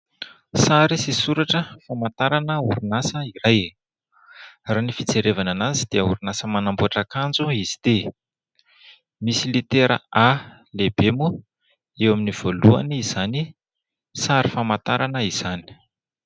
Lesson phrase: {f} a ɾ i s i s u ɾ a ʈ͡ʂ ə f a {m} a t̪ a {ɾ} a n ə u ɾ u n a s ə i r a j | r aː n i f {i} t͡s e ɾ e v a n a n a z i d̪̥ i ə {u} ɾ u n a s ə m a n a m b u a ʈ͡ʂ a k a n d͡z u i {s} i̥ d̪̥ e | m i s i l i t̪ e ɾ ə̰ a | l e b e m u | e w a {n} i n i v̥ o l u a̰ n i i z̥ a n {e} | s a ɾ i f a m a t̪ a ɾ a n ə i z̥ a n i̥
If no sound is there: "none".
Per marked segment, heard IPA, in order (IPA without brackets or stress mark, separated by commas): s, m, ɾ, i, u, z, m, i